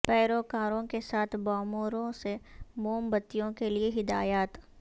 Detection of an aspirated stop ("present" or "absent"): present